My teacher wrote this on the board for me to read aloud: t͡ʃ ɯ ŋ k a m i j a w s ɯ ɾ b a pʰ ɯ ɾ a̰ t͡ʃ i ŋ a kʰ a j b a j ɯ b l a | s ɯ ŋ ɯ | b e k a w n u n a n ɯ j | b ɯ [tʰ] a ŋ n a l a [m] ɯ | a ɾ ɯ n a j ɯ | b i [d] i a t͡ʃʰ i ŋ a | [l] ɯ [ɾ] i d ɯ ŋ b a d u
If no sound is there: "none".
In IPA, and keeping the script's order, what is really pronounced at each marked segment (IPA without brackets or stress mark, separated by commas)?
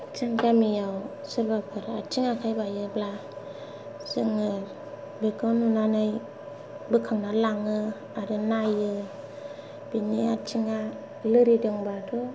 kʰ, ŋ, n, l, ɾ